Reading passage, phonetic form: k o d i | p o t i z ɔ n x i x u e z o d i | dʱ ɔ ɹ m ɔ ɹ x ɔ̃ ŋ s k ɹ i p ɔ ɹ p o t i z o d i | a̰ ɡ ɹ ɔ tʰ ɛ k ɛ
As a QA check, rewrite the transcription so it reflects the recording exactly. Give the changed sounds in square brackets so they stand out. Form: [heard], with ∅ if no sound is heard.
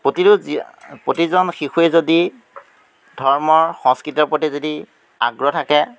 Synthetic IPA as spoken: [p] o [t] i | p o t i z ɔ n x i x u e z o d i | dʱ ɔ ɹ m ɔ ɹ x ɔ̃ ŋ s k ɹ i [t] ɔ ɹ p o t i z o d i | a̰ ɡ ɹ ɔ tʰ [a] k ɛ